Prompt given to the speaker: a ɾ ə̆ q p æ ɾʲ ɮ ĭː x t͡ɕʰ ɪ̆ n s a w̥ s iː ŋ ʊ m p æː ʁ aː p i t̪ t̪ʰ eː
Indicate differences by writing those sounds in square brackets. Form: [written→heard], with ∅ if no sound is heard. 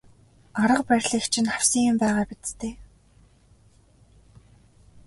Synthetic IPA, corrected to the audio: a ɾ ə̆ q p æ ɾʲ ɮ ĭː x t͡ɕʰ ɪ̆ n [s→χ] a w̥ s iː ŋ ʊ m p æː ʁ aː p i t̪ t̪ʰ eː